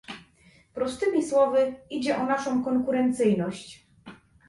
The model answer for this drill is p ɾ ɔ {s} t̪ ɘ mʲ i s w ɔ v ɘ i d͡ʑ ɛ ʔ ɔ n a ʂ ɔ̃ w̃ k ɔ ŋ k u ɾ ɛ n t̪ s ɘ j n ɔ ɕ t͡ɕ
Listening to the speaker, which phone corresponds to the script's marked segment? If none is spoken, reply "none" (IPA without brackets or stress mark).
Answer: s